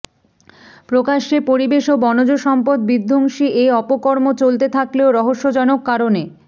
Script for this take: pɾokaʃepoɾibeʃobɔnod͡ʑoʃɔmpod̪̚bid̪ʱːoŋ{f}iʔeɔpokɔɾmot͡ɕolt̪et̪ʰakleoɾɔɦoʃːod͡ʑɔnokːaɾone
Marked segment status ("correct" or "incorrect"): incorrect